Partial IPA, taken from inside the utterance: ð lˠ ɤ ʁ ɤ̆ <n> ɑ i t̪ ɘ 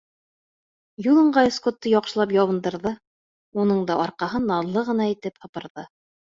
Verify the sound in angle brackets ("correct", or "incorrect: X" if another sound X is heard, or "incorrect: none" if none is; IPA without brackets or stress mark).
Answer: correct